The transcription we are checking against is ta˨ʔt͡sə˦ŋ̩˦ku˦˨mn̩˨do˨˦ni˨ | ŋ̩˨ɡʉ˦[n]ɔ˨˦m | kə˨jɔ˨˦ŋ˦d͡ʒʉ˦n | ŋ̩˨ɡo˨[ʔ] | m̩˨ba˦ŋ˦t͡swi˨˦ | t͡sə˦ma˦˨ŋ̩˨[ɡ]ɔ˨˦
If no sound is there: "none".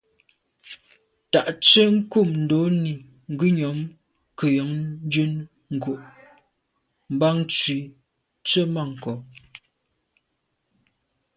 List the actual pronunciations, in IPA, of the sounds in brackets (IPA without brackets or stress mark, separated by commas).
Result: ɲ, ʔ, k